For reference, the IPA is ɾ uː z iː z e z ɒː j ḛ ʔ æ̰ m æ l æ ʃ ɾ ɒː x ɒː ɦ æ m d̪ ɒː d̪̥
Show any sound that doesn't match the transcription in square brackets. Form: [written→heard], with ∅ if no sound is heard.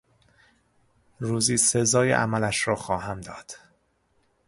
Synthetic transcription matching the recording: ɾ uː z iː [z→s] e z ɒː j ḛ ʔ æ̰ m æ l æ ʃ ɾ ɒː x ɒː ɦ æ m d̪ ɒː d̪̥